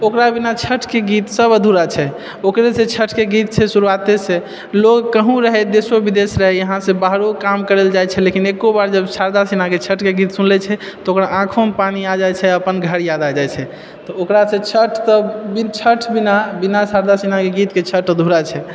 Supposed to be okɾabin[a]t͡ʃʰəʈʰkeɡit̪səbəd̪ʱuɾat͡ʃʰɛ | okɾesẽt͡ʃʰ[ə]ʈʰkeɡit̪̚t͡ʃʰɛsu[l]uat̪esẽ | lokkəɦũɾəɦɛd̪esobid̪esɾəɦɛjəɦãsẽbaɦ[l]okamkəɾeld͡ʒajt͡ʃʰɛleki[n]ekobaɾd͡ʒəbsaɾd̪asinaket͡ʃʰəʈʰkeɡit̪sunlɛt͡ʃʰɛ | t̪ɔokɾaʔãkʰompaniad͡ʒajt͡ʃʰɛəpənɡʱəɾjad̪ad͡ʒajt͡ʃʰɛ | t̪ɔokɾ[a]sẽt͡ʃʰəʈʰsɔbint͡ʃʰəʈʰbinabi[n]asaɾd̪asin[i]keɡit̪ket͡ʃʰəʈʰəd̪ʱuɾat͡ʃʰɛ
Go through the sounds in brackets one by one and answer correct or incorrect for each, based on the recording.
correct, correct, incorrect: ɾ, incorrect: ɾ, correct, correct, correct, incorrect: a

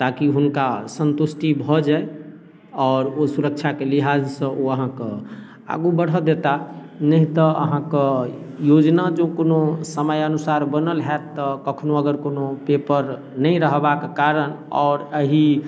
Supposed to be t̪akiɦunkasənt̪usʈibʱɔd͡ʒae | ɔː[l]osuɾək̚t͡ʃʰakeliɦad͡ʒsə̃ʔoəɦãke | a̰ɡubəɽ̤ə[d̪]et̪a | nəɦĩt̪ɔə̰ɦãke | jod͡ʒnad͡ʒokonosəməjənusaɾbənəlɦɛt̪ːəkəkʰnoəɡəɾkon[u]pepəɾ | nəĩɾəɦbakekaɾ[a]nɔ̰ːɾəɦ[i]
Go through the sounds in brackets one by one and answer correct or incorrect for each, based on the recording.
incorrect: ɾ, correct, incorrect: o, incorrect: ə, correct

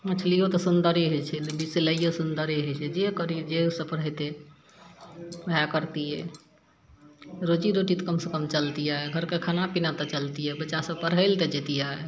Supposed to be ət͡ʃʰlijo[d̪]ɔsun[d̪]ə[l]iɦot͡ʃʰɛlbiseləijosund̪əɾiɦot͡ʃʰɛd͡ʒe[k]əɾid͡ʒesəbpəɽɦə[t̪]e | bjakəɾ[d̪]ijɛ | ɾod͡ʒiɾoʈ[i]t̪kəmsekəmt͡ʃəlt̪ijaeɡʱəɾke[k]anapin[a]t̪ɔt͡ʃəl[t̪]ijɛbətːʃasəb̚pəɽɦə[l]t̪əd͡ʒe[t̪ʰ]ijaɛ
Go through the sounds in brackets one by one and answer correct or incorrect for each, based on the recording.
incorrect: t̪, correct, incorrect: ɾ, correct, correct, incorrect: t̪, correct, incorrect: kʰ, correct, correct, correct, incorrect: t̪

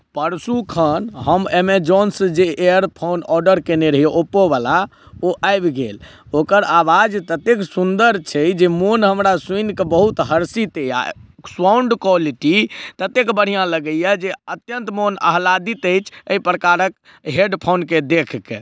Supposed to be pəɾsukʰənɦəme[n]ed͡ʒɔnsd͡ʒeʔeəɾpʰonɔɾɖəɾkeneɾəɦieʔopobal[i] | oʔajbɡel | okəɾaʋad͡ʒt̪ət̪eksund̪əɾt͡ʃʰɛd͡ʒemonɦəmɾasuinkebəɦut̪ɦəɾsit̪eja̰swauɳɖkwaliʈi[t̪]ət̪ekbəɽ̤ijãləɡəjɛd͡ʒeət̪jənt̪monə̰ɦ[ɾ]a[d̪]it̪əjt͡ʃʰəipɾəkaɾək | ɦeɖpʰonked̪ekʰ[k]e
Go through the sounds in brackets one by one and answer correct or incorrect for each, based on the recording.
incorrect: m, incorrect: a, correct, incorrect: l, correct, correct

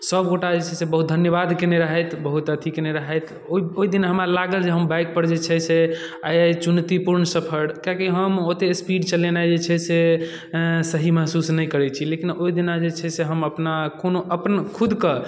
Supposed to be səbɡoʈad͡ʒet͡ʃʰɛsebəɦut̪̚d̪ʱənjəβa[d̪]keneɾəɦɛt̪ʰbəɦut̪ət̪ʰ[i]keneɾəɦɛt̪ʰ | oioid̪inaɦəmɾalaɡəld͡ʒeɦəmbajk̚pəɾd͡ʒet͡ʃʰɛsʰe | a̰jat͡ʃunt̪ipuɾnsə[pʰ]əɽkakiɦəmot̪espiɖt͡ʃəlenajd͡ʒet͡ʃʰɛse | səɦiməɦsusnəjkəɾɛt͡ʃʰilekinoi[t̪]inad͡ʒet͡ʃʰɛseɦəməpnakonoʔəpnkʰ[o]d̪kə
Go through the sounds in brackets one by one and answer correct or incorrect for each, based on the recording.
correct, correct, correct, incorrect: d̪, incorrect: u

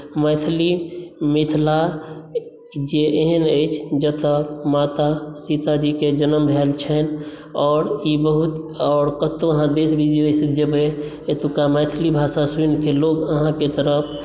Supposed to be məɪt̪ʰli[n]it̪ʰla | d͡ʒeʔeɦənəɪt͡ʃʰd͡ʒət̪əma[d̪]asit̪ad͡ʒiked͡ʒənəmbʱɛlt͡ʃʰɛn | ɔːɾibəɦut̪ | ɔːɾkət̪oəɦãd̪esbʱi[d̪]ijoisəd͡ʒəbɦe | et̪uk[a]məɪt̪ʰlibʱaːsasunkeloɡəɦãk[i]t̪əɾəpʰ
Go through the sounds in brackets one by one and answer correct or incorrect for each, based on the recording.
incorrect: m, incorrect: t̪, correct, correct, incorrect: e

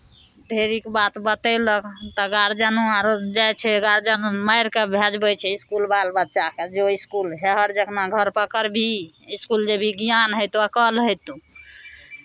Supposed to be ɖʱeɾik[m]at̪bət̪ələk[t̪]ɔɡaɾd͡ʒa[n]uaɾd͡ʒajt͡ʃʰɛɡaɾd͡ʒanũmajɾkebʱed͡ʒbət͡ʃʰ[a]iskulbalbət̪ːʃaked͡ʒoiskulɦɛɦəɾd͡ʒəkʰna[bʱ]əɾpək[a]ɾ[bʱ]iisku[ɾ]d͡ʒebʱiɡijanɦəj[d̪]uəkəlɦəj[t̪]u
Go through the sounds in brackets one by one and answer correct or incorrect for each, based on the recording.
incorrect: b, correct, correct, incorrect: ɛ, incorrect: ɡʱ, incorrect: ə, correct, incorrect: l, incorrect: t̪, correct

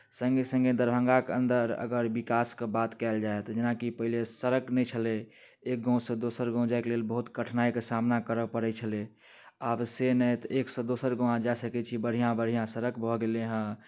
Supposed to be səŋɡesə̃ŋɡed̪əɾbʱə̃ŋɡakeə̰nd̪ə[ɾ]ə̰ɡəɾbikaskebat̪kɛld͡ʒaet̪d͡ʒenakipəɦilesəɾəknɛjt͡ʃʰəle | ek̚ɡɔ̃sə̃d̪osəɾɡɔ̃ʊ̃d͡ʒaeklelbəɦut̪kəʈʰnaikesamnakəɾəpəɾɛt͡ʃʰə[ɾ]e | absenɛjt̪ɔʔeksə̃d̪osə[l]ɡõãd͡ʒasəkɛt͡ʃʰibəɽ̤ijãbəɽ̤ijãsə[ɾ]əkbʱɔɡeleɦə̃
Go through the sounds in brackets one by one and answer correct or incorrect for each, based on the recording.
correct, incorrect: l, incorrect: ɾ, correct

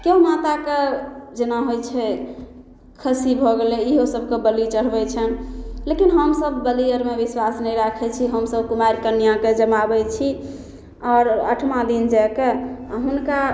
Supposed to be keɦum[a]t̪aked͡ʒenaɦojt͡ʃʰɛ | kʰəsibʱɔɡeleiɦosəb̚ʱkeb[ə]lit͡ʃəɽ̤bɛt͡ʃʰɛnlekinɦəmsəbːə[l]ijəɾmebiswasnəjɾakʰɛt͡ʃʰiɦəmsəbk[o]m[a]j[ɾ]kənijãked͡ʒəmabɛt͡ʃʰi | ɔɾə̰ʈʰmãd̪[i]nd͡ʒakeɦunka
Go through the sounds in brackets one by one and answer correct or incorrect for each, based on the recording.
correct, correct, correct, incorrect: u, correct, correct, correct

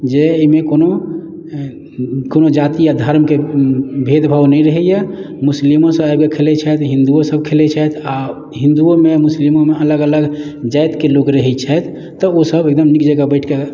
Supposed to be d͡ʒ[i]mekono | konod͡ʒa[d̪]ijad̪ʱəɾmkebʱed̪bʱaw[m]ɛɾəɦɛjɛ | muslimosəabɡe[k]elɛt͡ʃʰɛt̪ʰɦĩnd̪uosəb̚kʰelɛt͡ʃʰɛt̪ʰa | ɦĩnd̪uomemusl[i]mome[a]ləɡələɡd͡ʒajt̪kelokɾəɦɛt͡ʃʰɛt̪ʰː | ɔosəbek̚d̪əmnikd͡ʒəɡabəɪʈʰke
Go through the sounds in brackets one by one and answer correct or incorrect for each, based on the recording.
incorrect: e, incorrect: t̪, incorrect: n, incorrect: kʰ, correct, incorrect: ə

